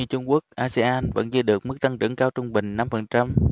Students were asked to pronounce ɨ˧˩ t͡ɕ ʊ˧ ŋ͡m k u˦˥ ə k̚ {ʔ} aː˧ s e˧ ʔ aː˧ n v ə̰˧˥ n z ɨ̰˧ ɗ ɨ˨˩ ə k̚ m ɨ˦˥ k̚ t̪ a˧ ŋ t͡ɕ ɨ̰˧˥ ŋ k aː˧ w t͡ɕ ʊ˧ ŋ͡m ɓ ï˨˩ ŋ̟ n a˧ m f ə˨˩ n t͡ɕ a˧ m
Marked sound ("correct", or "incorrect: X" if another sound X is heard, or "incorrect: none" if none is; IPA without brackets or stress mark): correct